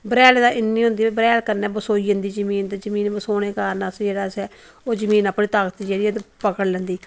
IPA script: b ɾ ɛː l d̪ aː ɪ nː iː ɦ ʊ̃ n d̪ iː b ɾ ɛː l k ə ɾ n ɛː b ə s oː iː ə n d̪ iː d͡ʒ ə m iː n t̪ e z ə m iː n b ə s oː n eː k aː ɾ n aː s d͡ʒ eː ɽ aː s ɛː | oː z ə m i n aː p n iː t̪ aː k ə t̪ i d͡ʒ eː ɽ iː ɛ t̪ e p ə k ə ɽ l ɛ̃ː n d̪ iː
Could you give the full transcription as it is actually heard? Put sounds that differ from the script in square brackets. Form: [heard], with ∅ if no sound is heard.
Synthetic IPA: b ɾ ɛː l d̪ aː ɪ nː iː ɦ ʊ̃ n d̪ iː b ɾ ɛː l k ə ɾ n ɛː b ə s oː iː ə n d̪ iː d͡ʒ ə m iː n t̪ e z ə m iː n b ə s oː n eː k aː ɾ n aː s d͡ʒ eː ɽ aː s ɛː | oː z ə m [iː] n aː p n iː t̪ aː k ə t̪ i d͡ʒ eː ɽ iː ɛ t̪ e p ə k ə ɽ l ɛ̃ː n d̪ iː